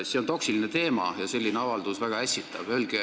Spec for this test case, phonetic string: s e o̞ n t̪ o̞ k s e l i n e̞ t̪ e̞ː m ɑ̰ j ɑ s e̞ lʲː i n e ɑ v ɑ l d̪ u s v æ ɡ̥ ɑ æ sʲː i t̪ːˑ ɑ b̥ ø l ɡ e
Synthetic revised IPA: s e o̞ n t̪ o̞ k s i l i n e̞ t̪ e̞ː m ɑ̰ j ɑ s e̞ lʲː i n e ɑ v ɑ l d̪ u s v æ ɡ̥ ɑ æ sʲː i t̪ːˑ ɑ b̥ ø l ɡ e